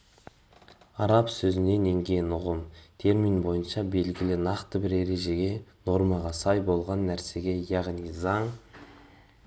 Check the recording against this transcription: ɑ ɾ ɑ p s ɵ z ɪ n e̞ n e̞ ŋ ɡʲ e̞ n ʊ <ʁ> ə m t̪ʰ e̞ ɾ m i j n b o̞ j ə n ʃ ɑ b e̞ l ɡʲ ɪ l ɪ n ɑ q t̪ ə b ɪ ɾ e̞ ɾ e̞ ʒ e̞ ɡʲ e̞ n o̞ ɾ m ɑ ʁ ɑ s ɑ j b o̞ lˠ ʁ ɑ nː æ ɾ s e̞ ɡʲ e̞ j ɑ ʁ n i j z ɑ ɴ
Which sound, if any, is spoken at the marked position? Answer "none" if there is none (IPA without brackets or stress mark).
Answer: ʁ